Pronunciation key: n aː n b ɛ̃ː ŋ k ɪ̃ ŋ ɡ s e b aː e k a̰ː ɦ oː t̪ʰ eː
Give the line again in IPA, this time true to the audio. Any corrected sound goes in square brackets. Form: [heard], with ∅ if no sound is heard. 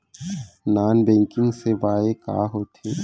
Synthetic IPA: n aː n b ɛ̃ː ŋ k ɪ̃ ŋ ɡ s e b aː e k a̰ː ɦ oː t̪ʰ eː